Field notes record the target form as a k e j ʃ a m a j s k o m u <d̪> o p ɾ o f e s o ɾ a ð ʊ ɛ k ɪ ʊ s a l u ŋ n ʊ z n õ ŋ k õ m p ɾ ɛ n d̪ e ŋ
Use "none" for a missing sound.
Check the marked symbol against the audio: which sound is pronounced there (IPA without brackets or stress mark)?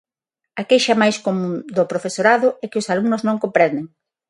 d̪